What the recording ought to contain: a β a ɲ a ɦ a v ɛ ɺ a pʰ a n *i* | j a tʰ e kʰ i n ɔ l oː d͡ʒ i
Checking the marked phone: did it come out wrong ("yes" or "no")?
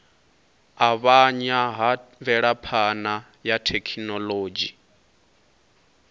yes